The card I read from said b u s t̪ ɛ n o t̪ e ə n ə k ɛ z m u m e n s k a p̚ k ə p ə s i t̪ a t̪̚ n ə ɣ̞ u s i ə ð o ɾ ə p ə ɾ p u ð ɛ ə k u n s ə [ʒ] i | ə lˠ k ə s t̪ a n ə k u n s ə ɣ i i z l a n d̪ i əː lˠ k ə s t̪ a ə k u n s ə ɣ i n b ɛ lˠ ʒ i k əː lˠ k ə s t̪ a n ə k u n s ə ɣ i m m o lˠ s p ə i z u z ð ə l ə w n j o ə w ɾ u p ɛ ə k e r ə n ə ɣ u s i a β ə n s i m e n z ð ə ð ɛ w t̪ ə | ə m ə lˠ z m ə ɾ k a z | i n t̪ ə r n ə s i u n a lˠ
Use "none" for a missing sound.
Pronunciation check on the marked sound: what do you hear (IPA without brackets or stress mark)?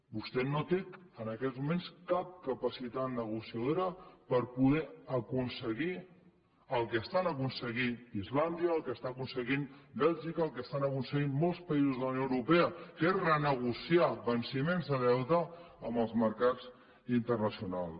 ɣ